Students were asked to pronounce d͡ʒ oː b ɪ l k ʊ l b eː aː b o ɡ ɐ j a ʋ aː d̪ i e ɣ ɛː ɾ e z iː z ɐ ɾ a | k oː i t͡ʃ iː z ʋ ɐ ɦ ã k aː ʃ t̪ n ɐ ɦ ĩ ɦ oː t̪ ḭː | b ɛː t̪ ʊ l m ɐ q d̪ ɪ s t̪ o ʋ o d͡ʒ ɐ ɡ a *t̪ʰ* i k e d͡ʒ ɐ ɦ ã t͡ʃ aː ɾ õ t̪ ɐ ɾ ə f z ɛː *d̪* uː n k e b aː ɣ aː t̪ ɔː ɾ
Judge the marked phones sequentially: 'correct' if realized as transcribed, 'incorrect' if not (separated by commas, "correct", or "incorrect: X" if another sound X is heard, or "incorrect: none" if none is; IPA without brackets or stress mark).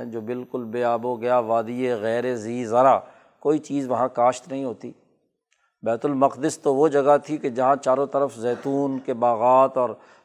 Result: correct, incorrect: t̪